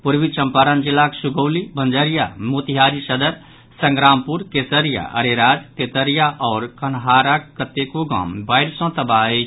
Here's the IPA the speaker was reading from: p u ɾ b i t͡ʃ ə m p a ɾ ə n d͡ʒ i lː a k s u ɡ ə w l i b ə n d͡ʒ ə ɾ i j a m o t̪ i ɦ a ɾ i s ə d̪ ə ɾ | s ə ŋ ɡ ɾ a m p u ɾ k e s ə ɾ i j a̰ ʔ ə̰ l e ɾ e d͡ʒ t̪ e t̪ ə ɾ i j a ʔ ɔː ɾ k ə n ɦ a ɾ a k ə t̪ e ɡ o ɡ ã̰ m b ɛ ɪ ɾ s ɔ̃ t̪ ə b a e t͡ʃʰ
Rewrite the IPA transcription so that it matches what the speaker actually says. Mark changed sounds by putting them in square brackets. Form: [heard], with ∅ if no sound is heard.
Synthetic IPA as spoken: p u ɾ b i t͡ʃ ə m p a ɾ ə n d͡ʒ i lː a k s u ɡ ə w l i b ə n d͡ʒ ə ɾ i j a m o t̪ i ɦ a ɾ i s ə d̪ ə ɾ | s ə ŋ ɡ ɾ a m p u ɾ k e s ə ɾ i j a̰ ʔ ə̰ [ɾ] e ɾ [a] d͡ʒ t̪ e t̪ ə ɾ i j a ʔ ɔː ɾ k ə n ɦ a ɾ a k ə t̪ e [k] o ɡ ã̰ m b [a] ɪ ɾ s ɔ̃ t̪ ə b a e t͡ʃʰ